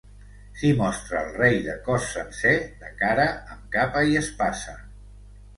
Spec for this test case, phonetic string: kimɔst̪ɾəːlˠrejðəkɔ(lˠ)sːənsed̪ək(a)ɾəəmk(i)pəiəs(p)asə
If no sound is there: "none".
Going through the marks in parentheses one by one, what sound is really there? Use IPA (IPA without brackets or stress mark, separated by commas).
none, a, a, p